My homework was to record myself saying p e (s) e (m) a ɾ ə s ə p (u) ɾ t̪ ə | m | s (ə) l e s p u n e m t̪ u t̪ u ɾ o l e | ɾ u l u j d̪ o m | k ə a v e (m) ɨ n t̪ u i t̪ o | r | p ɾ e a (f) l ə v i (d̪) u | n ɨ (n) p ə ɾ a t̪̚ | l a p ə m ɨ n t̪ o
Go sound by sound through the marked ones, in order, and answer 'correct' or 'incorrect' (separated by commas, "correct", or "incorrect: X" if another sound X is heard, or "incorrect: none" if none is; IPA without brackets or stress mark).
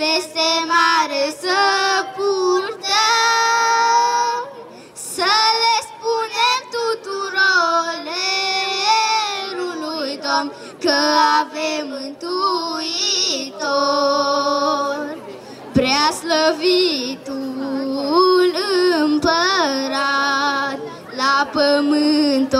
correct, correct, correct, correct, correct, incorrect: s, incorrect: t̪, incorrect: m